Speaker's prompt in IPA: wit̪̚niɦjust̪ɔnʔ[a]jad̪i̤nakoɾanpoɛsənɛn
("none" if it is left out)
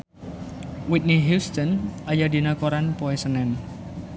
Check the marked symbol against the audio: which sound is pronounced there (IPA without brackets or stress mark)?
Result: a